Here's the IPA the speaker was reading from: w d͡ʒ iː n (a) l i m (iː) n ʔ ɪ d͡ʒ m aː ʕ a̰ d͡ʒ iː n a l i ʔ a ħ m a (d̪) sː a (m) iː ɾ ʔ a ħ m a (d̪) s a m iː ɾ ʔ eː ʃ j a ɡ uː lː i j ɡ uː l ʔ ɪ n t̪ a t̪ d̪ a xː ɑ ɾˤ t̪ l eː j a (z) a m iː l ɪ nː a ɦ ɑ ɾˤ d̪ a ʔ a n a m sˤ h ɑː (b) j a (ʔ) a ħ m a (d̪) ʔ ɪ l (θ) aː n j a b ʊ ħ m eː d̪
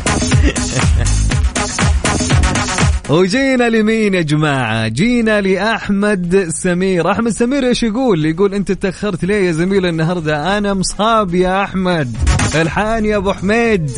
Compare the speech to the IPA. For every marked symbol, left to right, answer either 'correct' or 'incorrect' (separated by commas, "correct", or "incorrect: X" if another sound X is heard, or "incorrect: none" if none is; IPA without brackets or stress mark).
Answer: correct, correct, correct, correct, correct, correct, correct, correct, correct, incorrect: ħ